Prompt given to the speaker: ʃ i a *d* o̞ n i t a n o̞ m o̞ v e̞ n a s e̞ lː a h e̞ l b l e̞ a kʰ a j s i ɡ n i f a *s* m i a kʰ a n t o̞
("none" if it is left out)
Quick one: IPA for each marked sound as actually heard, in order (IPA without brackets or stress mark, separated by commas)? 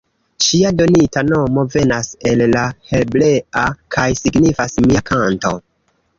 d, s